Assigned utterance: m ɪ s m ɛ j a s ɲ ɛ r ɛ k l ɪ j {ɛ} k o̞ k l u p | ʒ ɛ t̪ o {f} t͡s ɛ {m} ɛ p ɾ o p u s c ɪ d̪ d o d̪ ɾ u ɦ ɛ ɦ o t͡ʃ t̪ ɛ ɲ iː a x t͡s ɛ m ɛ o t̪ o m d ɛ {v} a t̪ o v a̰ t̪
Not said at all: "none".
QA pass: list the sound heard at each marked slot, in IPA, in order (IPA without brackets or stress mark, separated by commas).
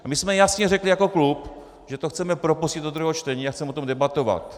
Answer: a, x, m, b